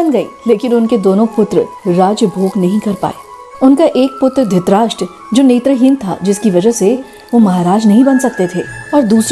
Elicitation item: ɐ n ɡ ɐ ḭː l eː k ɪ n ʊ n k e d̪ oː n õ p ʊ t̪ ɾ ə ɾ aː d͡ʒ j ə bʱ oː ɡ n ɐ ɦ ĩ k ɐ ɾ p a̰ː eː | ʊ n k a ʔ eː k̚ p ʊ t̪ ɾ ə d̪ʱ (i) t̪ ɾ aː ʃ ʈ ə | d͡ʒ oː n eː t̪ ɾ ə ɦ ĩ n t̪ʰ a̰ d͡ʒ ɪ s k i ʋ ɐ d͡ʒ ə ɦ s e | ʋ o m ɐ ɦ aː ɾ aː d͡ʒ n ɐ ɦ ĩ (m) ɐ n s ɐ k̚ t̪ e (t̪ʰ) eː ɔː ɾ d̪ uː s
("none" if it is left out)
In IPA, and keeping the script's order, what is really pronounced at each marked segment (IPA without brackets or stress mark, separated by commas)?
ɪ, b, t̪ʰ